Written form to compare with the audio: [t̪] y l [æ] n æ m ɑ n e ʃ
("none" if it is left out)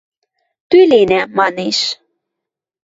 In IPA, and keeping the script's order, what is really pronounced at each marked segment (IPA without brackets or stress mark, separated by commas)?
t̪, e